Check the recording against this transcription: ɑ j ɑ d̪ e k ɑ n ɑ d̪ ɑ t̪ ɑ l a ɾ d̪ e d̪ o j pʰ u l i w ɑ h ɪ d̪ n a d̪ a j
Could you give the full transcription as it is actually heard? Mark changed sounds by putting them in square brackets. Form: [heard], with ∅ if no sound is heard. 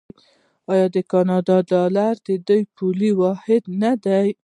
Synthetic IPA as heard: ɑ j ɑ d̪ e k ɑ n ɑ d̪ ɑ [d̪] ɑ l a ɾ d̪ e d̪ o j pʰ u l i w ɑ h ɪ d̪ n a d̪ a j